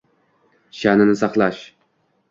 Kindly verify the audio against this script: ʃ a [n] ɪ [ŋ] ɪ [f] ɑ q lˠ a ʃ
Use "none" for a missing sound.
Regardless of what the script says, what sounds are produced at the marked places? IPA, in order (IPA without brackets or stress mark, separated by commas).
n, n, s